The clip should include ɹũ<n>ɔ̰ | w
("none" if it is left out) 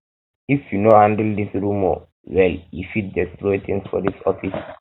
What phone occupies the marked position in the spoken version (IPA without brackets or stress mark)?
m